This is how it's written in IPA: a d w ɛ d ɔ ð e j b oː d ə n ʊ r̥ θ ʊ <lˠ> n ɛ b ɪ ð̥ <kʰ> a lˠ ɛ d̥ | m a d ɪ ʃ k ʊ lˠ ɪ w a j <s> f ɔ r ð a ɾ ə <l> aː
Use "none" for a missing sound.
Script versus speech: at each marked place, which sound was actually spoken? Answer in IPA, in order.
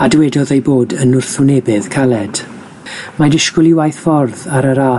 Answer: none, kʰ, θ, ɾ

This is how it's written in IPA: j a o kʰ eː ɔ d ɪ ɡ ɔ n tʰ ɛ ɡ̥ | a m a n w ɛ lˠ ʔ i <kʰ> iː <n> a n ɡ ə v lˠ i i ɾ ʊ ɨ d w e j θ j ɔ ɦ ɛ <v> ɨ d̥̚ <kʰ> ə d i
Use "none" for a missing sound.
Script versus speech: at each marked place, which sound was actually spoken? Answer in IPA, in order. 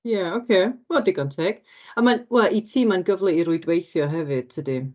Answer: tʰ, m, v, tʰ

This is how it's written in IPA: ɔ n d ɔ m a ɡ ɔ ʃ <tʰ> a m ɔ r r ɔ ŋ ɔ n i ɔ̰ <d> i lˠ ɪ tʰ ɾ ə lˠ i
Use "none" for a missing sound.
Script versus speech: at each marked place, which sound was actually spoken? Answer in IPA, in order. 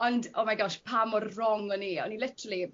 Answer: pʰ, n

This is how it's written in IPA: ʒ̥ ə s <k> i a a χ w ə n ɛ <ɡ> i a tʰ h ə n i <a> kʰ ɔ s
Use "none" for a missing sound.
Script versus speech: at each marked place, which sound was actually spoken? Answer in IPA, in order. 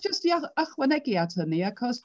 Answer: t, ɡ, a

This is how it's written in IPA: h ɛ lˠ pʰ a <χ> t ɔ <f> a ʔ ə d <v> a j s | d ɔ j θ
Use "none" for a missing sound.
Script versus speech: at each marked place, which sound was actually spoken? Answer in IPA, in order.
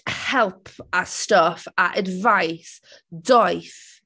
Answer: s, f, v

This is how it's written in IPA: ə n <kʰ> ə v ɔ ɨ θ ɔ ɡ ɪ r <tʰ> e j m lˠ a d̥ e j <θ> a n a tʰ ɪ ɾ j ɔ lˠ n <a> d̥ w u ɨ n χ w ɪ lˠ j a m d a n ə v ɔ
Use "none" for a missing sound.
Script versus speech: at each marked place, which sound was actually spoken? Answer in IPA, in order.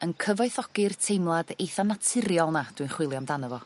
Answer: kʰ, tʰ, θ, a

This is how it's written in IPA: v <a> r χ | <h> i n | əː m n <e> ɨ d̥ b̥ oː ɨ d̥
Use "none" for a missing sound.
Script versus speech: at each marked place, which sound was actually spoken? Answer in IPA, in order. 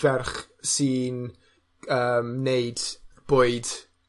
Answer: ɛ, s, e

